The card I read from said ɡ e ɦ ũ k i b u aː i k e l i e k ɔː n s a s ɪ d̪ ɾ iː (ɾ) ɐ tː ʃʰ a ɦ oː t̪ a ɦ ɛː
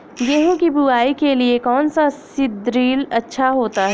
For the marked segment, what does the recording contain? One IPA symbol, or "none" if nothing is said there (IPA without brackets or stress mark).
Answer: l